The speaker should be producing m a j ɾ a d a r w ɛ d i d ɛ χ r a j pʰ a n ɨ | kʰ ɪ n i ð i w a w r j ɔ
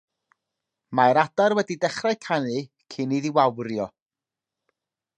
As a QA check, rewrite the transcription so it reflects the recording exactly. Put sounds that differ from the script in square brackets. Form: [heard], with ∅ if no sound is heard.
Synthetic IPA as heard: m a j ɾ a d a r w ɛ d i d ɛ χ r a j [kʰ] a n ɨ | kʰ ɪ n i ð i w a w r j ɔ